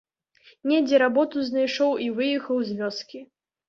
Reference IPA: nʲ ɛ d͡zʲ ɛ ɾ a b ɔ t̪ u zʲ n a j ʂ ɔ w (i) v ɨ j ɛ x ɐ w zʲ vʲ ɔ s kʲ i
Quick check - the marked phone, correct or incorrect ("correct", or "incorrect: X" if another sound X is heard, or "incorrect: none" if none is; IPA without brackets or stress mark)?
correct